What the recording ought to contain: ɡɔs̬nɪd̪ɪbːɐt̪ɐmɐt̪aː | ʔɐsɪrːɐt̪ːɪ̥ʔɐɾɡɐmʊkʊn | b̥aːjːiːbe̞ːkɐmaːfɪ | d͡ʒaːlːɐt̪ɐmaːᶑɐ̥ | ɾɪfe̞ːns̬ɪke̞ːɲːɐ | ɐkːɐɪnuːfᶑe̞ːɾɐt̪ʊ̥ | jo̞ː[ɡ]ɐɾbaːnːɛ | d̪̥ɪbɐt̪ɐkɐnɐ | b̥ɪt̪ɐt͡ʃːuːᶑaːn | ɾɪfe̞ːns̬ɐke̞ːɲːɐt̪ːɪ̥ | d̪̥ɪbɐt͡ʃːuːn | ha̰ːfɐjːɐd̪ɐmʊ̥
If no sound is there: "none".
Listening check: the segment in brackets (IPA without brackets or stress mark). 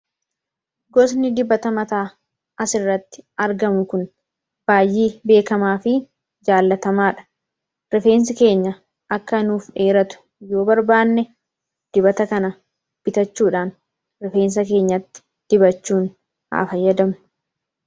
b